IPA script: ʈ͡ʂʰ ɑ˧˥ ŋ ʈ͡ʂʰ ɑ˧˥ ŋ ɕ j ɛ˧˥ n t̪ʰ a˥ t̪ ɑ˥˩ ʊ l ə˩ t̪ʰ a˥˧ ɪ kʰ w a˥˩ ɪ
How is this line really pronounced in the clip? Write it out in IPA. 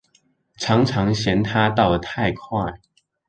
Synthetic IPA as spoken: ʈ͡ʂʰ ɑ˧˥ ŋ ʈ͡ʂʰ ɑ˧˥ ŋ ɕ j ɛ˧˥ n t̪ʰ a˥ t̪ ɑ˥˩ ʊ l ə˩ t̪ʰ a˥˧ ɪ kʰ w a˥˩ ɪ